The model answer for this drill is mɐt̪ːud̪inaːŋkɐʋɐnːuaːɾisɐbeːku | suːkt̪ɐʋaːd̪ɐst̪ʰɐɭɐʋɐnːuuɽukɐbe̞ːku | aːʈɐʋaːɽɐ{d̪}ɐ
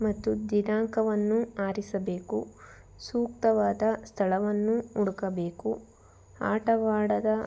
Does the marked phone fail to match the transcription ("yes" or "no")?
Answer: no